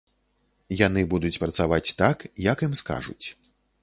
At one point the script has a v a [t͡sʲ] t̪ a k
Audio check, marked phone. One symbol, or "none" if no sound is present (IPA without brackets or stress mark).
t͡sʲ